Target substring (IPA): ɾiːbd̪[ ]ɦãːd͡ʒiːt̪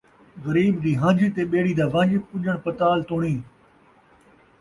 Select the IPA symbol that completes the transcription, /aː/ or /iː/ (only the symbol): iː